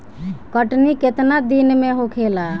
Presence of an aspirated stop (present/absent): present